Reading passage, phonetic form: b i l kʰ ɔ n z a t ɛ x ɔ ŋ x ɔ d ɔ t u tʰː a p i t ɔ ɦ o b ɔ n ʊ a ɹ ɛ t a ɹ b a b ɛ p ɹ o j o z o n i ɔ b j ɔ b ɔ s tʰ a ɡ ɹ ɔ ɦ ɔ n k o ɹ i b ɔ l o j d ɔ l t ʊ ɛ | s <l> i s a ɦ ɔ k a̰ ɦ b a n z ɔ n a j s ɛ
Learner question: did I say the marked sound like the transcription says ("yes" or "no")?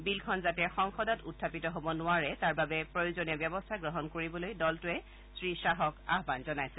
no